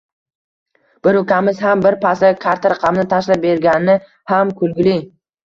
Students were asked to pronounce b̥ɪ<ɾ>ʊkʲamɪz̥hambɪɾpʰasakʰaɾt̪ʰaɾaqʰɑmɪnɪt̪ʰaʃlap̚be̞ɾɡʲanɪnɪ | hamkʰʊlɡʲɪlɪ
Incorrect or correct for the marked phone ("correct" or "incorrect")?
correct